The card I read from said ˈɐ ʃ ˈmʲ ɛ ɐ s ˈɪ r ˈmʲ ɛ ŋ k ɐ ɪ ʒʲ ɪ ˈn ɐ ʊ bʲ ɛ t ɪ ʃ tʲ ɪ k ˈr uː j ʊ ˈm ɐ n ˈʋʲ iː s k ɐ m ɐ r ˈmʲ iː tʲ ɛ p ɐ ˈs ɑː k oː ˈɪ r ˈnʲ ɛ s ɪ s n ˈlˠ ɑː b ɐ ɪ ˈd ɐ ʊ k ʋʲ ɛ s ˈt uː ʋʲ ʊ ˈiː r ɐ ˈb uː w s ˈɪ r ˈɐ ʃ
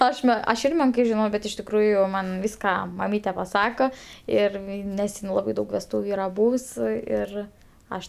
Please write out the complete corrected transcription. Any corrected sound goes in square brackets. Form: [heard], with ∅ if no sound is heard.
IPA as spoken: ˈɐ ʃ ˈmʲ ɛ ɐ [ʃ] ˈɪ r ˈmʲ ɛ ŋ k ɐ ɪ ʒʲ ɪ ˈn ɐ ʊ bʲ ɛ t ɪ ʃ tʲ ɪ k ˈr uː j ʊ ˈm ɐ n ˈʋʲ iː s k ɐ m ɐ [∅] ˈmʲ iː tʲ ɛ p ɐ ˈs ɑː k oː ˈɪ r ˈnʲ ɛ s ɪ [∅] n ˈlˠ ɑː b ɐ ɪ ˈd ɐ ʊ k ʋʲ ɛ s ˈt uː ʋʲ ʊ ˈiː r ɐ ˈb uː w s ˈɪ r ˈɐ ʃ